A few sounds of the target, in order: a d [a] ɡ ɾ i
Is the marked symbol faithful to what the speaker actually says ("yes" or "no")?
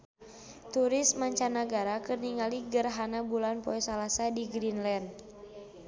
no